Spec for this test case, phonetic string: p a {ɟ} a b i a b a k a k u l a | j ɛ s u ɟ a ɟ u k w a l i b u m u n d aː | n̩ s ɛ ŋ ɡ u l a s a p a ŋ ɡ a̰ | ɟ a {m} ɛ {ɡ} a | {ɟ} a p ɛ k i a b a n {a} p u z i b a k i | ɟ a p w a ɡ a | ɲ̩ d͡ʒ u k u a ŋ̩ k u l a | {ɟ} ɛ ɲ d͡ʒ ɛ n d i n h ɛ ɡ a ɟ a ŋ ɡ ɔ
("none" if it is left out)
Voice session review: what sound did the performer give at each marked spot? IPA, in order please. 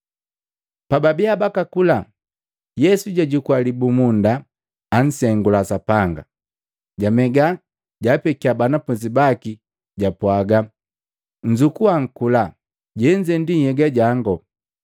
b, m, ɡ, ɟ, a, ɟ

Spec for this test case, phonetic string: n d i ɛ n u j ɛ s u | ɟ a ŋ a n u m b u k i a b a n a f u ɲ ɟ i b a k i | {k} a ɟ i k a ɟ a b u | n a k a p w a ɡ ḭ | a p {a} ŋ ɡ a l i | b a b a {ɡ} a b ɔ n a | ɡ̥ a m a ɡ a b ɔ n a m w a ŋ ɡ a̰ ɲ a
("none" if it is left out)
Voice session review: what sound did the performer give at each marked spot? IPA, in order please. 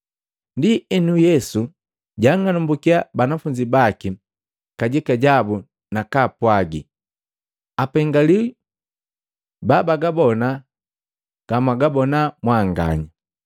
k, ɛ, ɡ

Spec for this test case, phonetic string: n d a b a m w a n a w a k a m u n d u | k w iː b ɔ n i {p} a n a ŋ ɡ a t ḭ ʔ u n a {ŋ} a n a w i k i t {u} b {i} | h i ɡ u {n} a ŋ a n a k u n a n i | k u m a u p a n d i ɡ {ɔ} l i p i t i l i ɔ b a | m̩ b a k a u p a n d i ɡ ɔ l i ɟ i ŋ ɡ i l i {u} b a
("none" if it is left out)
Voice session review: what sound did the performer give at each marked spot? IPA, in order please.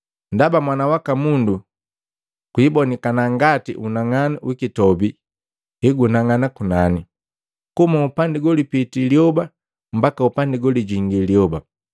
k, ŋ, ɔ, i, n, ɔ, ɔ

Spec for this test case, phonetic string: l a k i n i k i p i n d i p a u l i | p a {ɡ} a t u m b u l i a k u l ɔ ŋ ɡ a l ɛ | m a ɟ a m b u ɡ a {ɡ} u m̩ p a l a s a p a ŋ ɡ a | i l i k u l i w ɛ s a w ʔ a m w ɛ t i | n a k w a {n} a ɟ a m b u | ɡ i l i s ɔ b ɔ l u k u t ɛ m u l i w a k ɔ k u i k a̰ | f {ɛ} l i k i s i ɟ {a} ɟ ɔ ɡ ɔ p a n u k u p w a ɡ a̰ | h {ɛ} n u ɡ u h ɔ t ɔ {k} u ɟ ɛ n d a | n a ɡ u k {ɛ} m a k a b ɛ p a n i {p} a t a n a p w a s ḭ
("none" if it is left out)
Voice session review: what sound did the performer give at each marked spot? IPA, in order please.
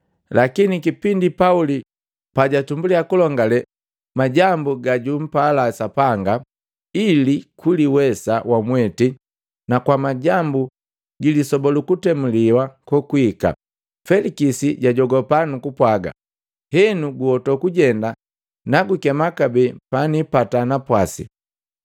ɟ, ɟ, m, ɛ, a, ɛ, k, ɛ, p

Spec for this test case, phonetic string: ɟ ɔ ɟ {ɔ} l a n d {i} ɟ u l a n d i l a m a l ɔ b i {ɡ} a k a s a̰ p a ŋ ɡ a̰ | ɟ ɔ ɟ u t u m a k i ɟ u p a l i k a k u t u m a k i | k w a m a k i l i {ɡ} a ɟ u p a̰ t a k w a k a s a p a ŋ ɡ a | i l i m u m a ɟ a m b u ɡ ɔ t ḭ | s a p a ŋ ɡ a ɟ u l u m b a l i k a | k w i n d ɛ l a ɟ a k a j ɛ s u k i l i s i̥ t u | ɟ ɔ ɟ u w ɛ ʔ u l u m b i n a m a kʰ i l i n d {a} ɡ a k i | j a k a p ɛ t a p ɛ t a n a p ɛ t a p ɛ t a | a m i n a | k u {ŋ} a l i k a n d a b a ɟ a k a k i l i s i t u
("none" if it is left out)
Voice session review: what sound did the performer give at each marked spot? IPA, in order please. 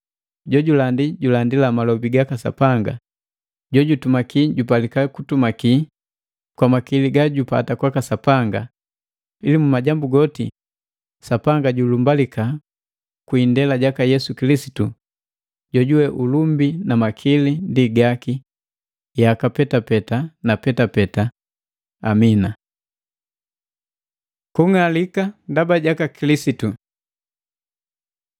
u, i, ɡ, ɡ, i, ŋ

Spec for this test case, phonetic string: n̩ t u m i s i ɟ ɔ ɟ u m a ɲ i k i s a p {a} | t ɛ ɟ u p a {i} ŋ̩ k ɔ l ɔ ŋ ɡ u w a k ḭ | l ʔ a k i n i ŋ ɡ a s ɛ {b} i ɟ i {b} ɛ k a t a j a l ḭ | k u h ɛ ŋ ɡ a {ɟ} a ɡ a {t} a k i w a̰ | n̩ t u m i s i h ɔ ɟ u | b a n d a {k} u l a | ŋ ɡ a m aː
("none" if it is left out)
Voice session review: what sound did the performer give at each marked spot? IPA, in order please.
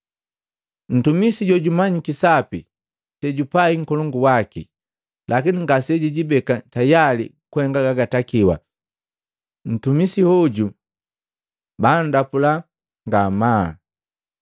i, i, ɟ, b, ɡ, t, p

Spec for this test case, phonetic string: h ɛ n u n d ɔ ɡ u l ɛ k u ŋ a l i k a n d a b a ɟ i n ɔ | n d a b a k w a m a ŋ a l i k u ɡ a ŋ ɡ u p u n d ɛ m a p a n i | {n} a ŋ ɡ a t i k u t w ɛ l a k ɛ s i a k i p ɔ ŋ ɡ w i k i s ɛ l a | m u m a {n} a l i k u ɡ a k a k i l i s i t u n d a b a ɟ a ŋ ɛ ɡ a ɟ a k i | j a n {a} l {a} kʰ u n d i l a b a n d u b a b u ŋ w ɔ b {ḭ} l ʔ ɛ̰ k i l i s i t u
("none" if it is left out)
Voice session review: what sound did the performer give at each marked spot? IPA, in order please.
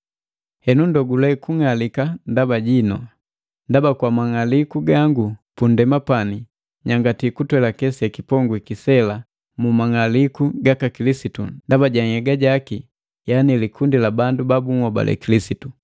ɲ, ŋ, i, i, a̰

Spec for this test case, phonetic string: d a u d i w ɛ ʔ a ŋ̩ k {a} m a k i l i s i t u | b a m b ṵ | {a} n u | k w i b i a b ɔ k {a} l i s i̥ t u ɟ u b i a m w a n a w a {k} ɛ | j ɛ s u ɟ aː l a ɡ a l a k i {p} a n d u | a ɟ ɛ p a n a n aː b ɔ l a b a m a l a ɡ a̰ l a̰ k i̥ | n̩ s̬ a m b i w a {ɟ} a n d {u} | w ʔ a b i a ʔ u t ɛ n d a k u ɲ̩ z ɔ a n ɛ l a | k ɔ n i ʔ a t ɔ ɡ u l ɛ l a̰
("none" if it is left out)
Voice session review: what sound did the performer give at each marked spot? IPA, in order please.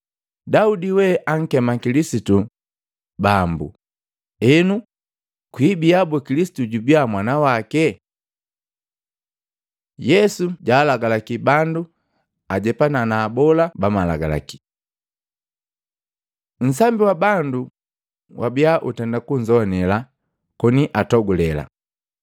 ɛ, ɛ, i, k, b, b, u

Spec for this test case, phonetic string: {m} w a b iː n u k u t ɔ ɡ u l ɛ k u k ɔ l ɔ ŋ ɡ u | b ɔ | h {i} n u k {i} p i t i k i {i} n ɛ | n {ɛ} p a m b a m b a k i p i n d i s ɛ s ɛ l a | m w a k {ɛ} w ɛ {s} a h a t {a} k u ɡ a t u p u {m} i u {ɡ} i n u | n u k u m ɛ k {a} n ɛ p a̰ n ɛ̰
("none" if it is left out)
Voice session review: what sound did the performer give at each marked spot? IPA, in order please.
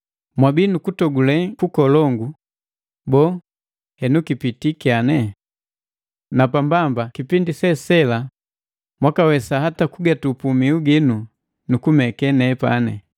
m, ɛ, i, a, a, a, s, a, m, ɡ, ɛ

